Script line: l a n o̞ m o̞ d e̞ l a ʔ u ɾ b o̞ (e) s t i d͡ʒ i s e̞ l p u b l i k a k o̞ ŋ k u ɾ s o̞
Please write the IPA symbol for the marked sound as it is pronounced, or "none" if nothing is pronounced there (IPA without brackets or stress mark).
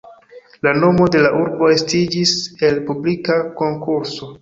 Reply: e